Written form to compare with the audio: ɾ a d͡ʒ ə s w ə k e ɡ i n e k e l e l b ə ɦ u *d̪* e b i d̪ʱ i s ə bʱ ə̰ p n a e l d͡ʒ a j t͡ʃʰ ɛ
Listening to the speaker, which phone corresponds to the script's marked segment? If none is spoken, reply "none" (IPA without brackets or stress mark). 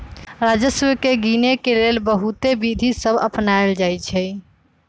t̪